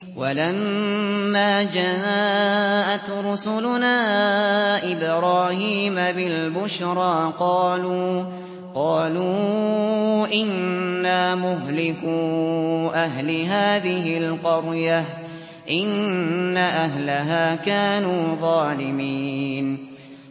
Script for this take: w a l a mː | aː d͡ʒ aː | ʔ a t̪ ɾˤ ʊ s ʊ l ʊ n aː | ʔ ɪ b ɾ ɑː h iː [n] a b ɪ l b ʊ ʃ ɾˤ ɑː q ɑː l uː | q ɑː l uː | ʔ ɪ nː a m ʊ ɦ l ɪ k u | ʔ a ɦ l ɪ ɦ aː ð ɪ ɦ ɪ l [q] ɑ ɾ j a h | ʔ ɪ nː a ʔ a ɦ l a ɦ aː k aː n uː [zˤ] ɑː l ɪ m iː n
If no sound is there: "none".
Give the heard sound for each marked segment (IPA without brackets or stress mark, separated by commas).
m, q, ðˤ